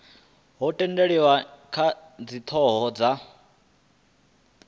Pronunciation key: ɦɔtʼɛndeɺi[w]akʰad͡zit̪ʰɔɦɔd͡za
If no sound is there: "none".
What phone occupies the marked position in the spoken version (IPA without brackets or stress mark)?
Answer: w